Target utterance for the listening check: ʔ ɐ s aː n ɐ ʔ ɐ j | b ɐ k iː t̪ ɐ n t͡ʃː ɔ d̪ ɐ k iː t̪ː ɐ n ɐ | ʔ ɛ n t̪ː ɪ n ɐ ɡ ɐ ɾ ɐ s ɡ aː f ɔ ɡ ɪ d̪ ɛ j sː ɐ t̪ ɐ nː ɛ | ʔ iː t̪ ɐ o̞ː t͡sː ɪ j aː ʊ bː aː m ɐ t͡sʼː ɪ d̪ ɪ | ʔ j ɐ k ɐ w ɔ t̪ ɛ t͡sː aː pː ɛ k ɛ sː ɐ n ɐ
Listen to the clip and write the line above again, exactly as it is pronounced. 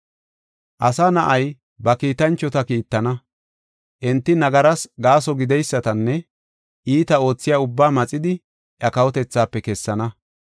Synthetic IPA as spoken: ʔ ɐ s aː n ɐ ʔ ɐ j | b ɐ k iː t̪ ɐ n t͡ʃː ɔ t̪ ɐ k iː t̪ː ɐ n ɐ | ʔ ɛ n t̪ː ɪ n ɐ ɡ ɐ ɾ ɐ s ɡ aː s ɔ ɡ ɪ d̪ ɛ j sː ɐ t̪ ɐ nː ɛ | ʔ iː t̪ ɐ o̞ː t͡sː ɪ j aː ʊ bː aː m ɐ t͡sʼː ɪ d̪ ɪ | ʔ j ɐ k ɐ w ɔ t̪ ɛ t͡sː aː pː ɛ k ɛ sː ɐ n ɐ